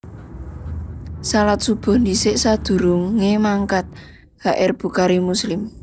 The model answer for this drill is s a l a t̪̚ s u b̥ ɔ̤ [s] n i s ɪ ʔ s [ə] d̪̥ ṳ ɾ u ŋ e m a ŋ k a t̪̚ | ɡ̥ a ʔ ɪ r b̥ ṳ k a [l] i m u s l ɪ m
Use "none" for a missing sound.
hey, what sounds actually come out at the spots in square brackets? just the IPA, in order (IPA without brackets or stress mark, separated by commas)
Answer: h, a, ɾ